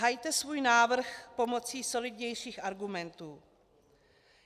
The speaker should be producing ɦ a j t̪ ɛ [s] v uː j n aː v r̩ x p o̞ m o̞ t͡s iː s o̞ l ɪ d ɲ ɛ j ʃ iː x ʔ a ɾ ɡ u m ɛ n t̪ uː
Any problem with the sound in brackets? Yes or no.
no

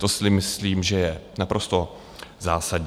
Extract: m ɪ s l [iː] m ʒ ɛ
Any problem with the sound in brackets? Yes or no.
no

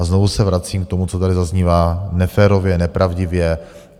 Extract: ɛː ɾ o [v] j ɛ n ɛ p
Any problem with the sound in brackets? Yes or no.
no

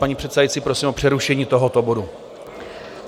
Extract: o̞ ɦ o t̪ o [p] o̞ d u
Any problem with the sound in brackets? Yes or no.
yes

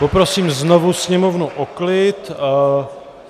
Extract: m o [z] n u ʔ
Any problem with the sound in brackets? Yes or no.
yes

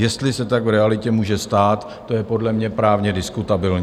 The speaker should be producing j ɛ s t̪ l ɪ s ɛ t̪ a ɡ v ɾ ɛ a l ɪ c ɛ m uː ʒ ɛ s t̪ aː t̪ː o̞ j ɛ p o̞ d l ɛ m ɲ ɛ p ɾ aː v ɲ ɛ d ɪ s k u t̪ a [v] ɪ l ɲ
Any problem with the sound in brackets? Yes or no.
yes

